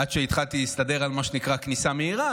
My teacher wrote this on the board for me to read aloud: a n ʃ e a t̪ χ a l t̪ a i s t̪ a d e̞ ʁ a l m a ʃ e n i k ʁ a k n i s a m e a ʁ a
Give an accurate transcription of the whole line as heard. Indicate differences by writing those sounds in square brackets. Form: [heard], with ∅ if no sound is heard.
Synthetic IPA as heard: a [d] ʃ e [i] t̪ χ a l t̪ [i] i s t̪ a d e̞ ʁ a l m a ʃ e n i k ʁ a k n i s a m e [i] ʁ a